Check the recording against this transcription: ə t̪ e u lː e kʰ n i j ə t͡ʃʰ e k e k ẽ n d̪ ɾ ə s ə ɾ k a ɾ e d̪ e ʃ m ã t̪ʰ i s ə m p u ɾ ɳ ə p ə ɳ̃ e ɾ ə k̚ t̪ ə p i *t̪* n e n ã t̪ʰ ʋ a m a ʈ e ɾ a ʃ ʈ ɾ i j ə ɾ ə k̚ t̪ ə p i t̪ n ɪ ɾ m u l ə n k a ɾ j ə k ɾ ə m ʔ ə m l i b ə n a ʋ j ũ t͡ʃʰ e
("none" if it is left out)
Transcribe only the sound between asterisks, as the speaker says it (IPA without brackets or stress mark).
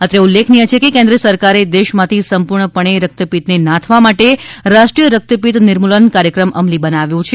t̪